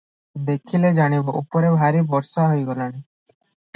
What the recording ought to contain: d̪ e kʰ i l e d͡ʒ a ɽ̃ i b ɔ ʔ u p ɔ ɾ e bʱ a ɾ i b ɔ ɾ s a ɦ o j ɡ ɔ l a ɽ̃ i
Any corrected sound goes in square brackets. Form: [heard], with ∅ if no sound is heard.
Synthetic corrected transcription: d̪ e kʰ i l e d͡ʒ a ɽ̃ i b ɔ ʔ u p ɔ ɾ e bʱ a ɾ i b ɔ ɾ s a ɦ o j ɡ ɔ l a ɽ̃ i